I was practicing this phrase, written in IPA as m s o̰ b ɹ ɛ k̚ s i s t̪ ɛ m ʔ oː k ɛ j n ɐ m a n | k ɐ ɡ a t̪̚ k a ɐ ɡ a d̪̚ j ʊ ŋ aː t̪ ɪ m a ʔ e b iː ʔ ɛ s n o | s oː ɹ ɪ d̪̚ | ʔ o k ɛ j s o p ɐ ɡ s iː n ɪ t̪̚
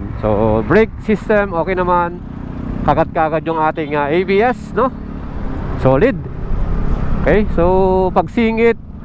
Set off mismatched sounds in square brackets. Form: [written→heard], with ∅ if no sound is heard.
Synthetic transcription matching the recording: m s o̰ b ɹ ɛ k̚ s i s t̪ ɛ m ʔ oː k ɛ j n ɐ m a n | k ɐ ɡ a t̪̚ k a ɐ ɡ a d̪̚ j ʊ ŋ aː t̪ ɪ [m→ŋ] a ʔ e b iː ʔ ɛ s n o | s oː [ɹ→l] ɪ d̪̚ | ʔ o k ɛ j s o p ɐ ɡ s iː [n→ŋ] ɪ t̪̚